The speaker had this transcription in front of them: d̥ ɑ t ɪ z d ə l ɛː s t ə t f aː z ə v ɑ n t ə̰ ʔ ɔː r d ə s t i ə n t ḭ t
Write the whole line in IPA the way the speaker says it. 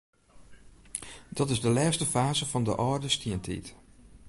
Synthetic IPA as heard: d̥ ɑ t ɪ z d ə l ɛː s t ə f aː z ə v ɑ n d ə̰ ʔ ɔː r d ə s t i ə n t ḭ t